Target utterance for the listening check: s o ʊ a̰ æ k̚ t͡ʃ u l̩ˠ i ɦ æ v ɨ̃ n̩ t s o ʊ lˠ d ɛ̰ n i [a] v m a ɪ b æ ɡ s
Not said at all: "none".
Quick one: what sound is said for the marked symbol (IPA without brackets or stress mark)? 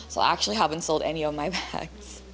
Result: ʌ